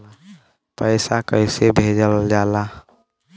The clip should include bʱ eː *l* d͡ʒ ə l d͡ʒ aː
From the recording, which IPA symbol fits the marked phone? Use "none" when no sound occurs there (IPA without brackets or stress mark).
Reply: none